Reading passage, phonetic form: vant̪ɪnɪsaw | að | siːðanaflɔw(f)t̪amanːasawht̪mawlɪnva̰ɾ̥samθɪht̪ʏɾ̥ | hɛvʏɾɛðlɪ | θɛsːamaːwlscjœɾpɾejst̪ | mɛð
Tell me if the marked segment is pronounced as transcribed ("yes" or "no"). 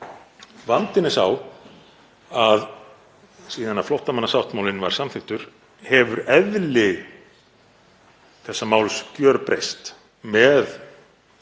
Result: no